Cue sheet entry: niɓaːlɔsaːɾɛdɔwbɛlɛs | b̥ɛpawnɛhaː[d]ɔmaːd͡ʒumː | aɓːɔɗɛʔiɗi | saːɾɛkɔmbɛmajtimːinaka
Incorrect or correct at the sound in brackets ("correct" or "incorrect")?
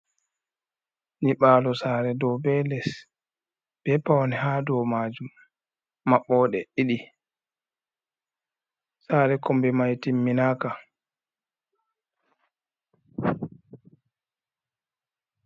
correct